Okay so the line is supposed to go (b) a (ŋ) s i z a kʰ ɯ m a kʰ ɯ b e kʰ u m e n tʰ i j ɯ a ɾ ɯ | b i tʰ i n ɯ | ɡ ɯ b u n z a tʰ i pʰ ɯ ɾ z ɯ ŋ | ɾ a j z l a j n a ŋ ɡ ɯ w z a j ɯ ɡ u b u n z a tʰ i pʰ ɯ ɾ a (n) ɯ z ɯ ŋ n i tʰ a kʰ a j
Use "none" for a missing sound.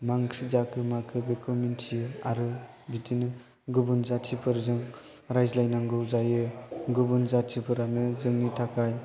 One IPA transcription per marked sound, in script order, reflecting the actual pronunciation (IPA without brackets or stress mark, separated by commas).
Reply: m, ŋ, n